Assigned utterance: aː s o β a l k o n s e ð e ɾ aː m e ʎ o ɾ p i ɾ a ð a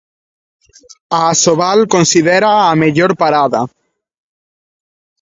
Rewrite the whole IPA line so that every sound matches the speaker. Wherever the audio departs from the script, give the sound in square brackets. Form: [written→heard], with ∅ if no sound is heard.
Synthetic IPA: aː s o β a l k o n s [e→i] ð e ɾ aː m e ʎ o ɾ p [i→a] ɾ a ð a